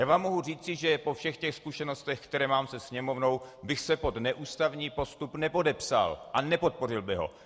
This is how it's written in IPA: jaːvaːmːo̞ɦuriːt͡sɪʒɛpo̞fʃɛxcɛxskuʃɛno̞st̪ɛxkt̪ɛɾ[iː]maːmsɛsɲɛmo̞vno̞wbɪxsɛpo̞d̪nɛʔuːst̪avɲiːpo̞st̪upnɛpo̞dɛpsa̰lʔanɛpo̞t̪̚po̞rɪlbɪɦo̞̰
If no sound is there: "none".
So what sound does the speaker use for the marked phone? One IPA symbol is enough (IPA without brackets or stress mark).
ɛː